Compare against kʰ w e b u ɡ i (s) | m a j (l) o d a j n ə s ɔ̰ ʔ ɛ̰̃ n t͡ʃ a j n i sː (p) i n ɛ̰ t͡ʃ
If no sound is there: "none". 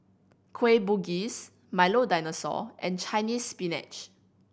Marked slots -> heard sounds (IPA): s, l, p

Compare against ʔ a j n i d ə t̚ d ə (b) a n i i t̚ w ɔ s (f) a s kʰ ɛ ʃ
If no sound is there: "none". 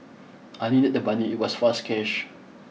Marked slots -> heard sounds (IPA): b, f

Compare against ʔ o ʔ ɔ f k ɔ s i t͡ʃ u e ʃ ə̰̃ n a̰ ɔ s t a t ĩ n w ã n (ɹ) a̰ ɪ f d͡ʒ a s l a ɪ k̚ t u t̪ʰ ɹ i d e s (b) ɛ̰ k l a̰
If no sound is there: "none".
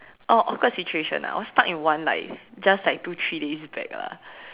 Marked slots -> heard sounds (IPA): l, b

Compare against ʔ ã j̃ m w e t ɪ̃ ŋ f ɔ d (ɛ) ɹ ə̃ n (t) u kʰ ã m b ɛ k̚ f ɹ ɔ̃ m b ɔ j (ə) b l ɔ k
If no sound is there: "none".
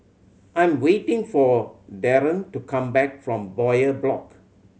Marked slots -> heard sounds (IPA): ɛ, t, ə

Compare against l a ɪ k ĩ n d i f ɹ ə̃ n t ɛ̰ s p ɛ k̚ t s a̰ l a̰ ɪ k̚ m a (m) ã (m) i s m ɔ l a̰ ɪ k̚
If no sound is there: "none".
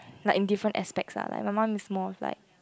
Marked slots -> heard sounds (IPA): m, m

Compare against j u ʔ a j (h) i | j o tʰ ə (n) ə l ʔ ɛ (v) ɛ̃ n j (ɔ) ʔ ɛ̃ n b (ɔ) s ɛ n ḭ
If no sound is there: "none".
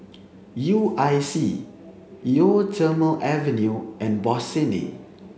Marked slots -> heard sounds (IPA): s, m, v, u, ɔ

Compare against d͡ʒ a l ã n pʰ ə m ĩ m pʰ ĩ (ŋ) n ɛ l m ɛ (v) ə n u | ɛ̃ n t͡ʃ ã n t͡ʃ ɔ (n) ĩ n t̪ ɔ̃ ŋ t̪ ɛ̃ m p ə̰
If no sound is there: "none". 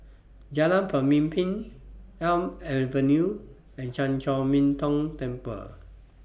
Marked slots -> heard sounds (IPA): none, v, m

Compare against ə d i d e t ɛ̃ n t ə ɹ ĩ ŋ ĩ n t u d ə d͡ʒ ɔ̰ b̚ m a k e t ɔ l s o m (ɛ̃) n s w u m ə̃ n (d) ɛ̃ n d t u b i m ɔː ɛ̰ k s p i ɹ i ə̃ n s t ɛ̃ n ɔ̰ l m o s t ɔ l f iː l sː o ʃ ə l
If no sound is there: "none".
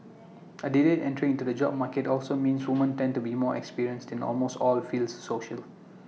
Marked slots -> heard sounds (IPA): ĩ, t

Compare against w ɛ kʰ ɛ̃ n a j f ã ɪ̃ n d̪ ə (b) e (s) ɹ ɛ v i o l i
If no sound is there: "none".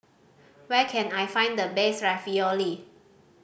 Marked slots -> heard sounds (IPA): b, s

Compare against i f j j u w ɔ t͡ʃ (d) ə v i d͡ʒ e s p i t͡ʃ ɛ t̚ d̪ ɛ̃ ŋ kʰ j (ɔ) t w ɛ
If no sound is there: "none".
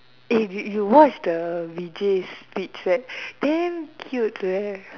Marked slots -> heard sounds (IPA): d, u

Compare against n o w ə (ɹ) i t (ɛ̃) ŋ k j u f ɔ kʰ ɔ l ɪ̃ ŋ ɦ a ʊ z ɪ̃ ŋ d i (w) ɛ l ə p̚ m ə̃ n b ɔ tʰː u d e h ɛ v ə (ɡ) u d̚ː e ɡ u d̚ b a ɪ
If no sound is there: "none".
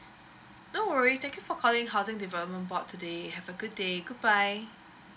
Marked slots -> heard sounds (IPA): ɹ, ɛ̃, v, ɡ

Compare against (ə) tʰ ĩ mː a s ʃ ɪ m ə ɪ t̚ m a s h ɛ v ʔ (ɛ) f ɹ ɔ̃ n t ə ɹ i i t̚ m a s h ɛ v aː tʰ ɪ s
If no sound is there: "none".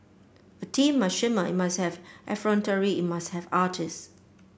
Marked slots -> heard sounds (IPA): ə, ɛ

